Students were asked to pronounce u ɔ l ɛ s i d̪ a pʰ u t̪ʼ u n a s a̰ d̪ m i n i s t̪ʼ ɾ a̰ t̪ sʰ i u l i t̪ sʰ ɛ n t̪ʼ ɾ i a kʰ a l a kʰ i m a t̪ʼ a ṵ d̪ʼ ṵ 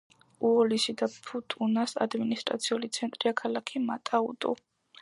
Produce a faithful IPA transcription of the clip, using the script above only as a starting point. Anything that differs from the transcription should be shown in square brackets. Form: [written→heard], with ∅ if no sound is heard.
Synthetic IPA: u ɔ l [ɛ→i] s i d̪ a pʰ u t̪ʼ u n a s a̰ d̪ m i n i s t̪ʼ ɾ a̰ t̪ sʰ i u l i t̪ sʰ ɛ n t̪ʼ ɾ i a kʰ a l a kʰ i m a t̪ʼ a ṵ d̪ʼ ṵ

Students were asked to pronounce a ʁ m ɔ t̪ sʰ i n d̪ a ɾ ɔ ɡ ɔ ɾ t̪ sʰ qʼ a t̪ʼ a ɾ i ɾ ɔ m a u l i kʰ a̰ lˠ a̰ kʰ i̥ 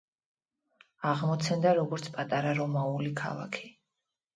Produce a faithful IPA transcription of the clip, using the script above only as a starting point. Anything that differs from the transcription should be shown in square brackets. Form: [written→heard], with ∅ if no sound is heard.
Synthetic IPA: a ʁ m ɔ t̪ sʰ [i→ɛ] n d̪ a ɾ ɔ ɡ ɔ ɾ t̪ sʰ [qʼ→pʼ] a t̪ʼ a ɾ [i→a] ɾ ɔ m a u l i kʰ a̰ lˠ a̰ kʰ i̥

